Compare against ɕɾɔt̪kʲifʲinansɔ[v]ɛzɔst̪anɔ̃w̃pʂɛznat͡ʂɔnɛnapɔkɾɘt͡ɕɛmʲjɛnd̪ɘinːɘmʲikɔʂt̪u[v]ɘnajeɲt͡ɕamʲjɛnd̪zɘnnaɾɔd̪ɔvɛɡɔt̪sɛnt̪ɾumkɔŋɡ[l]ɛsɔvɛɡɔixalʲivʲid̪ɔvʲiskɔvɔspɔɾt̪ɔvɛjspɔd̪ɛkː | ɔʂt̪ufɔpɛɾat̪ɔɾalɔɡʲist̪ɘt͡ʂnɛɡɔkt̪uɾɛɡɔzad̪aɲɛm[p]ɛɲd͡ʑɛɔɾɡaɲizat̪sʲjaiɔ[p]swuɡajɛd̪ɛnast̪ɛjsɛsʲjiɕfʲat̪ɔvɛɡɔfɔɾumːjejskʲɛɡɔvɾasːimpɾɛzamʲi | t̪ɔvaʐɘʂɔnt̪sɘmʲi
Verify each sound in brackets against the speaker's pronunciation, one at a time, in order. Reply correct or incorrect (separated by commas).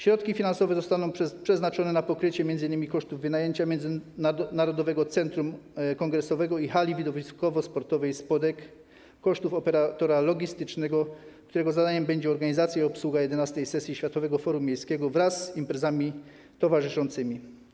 correct, incorrect, incorrect, incorrect, correct